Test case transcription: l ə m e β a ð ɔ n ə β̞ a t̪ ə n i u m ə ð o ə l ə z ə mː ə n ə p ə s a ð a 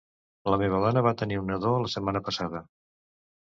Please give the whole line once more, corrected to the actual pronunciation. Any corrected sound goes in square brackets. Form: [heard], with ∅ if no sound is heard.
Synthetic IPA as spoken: l ə m e β [ə] ð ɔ n ə β̞ a t̪ ə n i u [n] ə ð o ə l ə [s] ə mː [a] n ə p ə s a ð [ə]